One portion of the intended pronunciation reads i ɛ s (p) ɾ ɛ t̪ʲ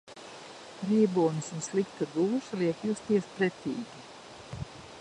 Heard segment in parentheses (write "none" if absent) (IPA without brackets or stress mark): p